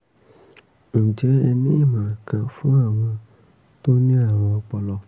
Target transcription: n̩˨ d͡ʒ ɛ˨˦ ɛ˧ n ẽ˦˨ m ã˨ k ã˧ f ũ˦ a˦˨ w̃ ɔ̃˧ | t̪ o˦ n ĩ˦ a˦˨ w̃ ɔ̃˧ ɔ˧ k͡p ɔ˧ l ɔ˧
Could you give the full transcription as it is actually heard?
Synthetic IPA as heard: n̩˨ d͡ʒ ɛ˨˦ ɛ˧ n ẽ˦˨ m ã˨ k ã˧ f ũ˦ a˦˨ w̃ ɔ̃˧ | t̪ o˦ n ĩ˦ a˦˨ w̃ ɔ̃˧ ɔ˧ k͡p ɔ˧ l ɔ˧